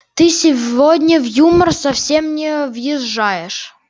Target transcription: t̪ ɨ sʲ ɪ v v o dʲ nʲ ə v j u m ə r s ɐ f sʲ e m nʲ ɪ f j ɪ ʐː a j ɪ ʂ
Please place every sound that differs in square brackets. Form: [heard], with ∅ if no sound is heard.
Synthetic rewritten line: t̪ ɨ sʲ ɪ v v o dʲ nʲ ə v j u m ə r s ɐ f sʲ e m nʲ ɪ [v] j ɪ ʐː a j ɪ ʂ